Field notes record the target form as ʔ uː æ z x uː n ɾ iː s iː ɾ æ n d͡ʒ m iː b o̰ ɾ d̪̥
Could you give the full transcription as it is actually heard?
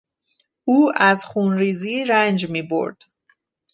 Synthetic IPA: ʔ uː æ z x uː n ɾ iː z iː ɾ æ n d͡ʒ m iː b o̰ ɾ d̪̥